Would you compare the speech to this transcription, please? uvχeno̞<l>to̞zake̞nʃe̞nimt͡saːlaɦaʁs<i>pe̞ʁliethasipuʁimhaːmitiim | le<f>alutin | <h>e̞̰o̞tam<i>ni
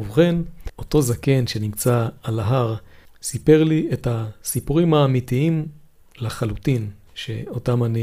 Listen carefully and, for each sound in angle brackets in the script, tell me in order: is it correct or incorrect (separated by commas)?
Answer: incorrect, correct, incorrect, incorrect, incorrect